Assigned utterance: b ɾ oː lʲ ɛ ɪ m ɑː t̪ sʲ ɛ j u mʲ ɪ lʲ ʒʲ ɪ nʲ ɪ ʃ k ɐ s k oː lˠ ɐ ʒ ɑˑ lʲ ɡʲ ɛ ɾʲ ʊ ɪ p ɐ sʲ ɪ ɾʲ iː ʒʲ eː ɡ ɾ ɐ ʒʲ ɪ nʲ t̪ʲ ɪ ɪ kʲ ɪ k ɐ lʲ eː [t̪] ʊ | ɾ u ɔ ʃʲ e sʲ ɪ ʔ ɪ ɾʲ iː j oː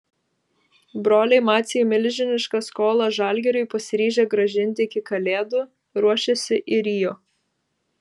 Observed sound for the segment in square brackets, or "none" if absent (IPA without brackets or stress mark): d̪